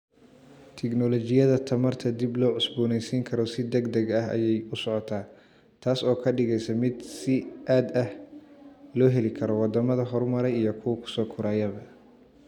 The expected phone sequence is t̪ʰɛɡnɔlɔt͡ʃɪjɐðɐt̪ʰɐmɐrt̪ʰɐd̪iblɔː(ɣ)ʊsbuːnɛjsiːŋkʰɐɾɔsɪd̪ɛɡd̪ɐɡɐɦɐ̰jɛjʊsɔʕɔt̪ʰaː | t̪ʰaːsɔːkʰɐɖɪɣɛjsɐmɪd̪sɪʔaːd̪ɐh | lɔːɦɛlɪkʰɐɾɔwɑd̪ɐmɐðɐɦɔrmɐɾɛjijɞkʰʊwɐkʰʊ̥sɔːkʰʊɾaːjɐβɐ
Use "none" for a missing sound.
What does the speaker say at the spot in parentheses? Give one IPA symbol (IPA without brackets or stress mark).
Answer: ʕ